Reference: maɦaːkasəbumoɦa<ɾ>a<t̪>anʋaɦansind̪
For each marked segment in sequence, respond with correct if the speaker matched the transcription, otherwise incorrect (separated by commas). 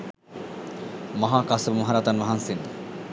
correct, correct